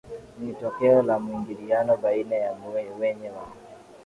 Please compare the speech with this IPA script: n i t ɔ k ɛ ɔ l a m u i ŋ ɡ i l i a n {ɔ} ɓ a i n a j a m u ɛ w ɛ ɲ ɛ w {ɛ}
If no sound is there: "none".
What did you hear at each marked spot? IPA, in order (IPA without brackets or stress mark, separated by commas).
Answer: ɔ, a